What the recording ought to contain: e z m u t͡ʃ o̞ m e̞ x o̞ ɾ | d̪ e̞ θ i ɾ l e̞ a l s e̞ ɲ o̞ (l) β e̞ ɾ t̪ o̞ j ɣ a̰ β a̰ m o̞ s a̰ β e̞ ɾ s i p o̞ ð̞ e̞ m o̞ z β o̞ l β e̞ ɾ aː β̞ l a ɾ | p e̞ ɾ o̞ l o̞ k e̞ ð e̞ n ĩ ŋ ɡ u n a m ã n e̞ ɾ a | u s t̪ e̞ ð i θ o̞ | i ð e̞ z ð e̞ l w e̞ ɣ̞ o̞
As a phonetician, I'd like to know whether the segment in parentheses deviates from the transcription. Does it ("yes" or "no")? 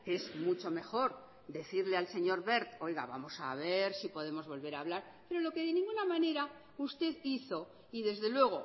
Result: yes